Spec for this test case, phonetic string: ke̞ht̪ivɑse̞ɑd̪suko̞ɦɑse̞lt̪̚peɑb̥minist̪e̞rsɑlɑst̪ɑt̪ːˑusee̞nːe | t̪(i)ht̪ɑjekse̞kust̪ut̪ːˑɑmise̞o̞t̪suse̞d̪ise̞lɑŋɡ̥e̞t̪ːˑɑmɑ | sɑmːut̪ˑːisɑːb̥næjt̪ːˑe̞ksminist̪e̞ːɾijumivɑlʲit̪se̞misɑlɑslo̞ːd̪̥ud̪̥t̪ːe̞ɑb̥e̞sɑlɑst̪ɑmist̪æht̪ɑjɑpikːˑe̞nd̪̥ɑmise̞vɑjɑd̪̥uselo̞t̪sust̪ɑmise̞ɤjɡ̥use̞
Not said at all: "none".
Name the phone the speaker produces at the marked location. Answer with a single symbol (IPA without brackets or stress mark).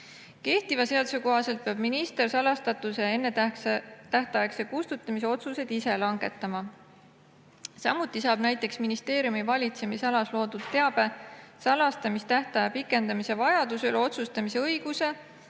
æ